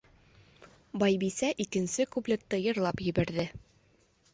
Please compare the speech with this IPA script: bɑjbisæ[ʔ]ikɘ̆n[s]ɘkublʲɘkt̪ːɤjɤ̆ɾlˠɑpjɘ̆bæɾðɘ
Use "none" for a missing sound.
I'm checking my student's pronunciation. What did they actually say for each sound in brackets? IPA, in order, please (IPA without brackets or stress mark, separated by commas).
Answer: ʔ, s